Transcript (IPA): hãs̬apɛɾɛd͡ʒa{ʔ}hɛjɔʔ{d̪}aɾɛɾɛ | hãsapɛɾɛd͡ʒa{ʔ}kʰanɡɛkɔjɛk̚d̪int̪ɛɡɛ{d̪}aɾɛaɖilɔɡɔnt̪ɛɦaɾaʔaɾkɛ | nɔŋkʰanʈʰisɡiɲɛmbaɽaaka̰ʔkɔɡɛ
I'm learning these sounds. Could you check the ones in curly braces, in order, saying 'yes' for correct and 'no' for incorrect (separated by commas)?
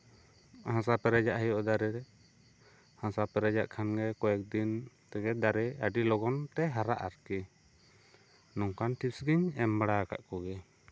yes, yes, yes, yes